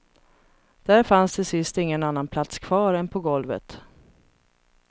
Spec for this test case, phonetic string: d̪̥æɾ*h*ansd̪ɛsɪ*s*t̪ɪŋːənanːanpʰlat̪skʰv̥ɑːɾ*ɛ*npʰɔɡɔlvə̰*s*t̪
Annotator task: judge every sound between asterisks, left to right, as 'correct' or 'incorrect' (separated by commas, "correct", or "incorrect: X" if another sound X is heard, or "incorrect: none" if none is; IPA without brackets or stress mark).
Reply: incorrect: f, correct, correct, incorrect: none